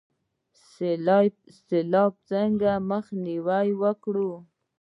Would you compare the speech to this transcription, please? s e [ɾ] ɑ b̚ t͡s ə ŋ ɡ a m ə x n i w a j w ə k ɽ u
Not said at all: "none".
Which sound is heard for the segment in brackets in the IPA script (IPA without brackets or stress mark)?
l